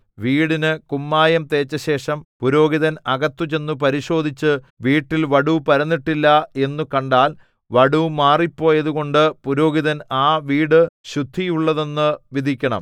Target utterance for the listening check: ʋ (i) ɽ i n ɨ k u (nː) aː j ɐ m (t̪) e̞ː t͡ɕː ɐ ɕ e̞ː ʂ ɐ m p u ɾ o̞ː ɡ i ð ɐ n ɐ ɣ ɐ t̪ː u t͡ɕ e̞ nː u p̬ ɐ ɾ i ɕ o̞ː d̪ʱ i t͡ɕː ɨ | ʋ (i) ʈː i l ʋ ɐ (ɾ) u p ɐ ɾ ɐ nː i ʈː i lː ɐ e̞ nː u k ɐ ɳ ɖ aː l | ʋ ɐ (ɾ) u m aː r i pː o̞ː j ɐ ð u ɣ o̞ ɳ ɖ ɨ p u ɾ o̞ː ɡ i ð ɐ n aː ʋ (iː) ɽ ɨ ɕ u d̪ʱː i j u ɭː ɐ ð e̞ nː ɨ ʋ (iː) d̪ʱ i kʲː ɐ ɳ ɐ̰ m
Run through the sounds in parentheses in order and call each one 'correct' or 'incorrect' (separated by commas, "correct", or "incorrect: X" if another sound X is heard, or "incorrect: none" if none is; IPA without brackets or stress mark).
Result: incorrect: iː, incorrect: mː, correct, incorrect: iː, incorrect: ɽ, incorrect: ɽ, correct, incorrect: i